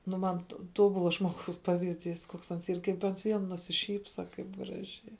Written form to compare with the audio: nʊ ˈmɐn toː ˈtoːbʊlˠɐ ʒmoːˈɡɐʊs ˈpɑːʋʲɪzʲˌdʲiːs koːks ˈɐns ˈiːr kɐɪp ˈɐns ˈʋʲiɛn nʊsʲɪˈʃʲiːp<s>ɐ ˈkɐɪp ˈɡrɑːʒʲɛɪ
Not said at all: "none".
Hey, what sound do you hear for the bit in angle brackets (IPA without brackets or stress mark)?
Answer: s